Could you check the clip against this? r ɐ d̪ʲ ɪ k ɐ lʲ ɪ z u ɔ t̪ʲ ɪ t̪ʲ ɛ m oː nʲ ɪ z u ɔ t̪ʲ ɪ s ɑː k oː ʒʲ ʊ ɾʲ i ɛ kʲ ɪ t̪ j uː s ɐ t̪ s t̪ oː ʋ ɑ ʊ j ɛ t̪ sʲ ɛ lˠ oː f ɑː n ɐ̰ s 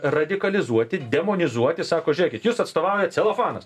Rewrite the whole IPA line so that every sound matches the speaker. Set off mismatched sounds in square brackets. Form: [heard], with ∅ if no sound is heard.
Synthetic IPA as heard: r ɐ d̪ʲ ɪ k ɐ lʲ ɪ z u ɔ t̪ʲ ɪ [d̪ʲ] ɛ m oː nʲ ɪ z u ɔ t̪ʲ ɪ s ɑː k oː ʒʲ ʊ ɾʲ i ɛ kʲ ɪ t̪ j uː s ɐ t̪ s t̪ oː ʋ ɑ ʊ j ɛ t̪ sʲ ɛ lˠ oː f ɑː n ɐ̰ s